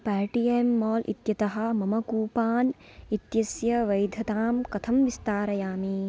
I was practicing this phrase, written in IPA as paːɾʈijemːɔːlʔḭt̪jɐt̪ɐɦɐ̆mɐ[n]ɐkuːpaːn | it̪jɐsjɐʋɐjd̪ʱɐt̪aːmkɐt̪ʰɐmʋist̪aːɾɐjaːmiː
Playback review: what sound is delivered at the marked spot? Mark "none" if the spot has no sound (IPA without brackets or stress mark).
m